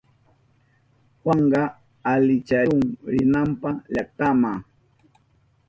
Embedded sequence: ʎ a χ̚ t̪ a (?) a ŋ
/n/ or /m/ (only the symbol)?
m